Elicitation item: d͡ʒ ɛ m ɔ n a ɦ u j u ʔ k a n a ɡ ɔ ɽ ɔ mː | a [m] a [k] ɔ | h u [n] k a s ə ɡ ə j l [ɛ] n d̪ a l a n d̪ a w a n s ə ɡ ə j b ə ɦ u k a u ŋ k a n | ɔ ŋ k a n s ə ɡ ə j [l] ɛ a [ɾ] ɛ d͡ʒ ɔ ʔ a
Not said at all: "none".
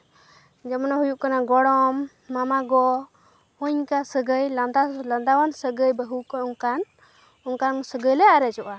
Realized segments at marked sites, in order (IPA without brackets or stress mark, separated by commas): m, ɡ, ɲ, a, l, ɾ